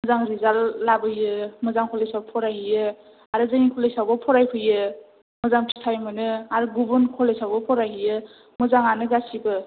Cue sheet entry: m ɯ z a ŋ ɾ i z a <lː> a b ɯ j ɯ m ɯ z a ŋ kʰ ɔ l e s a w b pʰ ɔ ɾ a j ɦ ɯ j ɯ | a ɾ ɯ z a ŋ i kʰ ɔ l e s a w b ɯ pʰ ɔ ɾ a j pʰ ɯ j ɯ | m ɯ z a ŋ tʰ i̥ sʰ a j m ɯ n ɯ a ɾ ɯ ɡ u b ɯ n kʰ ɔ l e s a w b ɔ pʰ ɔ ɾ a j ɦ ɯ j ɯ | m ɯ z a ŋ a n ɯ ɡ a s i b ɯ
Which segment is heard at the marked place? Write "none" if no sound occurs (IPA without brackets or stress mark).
lː